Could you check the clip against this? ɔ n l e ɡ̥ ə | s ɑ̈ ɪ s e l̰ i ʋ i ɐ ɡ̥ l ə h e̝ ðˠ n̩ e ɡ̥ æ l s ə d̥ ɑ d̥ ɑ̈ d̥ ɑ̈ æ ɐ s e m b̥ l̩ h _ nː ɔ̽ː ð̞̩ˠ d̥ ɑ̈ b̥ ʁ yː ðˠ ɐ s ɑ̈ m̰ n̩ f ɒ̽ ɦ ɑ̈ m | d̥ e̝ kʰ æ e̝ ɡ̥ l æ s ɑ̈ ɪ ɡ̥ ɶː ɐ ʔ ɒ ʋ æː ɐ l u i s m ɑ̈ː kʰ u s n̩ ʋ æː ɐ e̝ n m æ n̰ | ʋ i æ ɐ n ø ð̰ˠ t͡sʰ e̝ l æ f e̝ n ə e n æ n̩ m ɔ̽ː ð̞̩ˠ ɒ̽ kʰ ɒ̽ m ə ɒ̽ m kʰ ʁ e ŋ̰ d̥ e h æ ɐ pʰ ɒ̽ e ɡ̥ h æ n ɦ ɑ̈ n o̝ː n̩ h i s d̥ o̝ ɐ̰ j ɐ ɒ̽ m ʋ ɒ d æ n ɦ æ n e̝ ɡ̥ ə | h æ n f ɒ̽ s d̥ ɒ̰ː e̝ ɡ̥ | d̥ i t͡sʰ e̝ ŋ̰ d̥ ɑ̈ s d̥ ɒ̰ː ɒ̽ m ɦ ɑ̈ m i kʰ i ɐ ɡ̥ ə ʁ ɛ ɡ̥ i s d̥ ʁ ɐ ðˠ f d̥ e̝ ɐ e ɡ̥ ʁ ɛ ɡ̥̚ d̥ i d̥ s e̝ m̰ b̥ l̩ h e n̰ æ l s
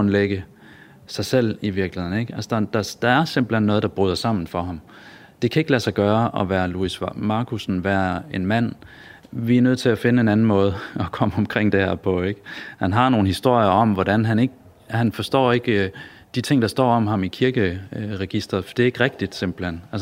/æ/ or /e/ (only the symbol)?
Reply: e